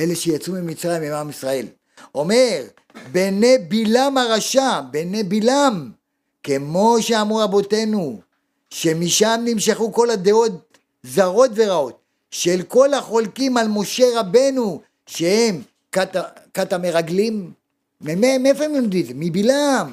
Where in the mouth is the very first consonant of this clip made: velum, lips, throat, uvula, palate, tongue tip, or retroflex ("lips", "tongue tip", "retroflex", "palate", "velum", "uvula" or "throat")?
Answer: tongue tip